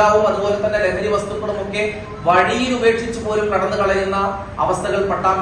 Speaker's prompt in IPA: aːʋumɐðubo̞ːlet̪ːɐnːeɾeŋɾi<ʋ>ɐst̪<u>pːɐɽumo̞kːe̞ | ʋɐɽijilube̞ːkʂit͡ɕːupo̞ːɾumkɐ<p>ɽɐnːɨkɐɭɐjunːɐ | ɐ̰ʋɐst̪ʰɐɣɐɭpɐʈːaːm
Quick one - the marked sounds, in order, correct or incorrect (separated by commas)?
correct, correct, incorrect